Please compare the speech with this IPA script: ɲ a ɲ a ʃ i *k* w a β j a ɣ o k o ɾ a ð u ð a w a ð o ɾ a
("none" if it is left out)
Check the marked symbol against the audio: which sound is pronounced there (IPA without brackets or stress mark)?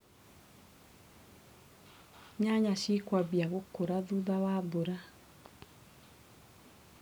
k